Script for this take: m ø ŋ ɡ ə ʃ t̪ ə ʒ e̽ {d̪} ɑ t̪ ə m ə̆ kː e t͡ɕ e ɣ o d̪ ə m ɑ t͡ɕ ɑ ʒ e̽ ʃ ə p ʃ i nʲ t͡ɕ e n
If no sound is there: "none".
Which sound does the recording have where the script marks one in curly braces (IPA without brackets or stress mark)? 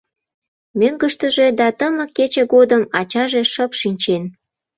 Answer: d̪